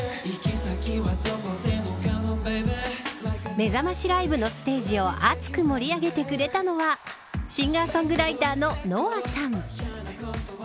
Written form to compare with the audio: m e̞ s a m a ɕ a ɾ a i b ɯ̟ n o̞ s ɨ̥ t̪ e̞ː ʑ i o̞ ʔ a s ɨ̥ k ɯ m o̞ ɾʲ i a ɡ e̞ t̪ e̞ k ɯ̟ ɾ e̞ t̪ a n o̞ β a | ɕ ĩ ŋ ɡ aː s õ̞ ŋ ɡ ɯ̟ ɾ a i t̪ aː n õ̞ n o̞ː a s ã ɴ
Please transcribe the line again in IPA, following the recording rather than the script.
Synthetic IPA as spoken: m e̞ z a m a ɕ i ɾ a i b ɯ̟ n o̞ s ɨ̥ t̪ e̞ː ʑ i o̞ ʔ a t͡s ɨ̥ k ɯ m o̞ ɾʲ i a ɡ e̞ t̪ e̞ k ɯ̟ ɾ e̞ t̪ a n o̞ β a | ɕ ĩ ŋ ɡ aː s õ̞ ŋ ɡ ɯ̟ ɾ a i t̪ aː n o̞ n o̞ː a s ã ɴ